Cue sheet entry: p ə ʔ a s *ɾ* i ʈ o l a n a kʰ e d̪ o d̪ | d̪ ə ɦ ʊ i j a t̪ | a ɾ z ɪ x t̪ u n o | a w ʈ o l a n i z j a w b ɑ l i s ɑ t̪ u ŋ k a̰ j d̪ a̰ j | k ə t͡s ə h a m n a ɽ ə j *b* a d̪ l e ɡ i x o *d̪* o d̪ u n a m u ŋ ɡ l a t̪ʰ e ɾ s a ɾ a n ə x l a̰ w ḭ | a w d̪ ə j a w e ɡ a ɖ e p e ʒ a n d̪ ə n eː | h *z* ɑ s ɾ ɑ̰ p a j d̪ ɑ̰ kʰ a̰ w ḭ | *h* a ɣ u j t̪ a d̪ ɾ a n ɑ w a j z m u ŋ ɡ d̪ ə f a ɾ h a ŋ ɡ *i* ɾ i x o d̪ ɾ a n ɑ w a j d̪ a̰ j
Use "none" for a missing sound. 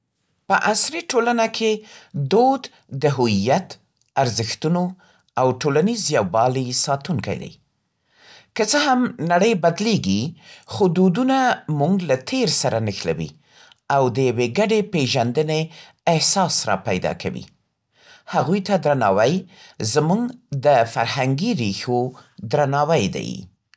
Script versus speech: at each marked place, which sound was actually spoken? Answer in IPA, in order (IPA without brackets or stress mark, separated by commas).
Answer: ɾ, b, d̪, s, h, i